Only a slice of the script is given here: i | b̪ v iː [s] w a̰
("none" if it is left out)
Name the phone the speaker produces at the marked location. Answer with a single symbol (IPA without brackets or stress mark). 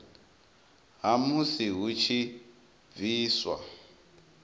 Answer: s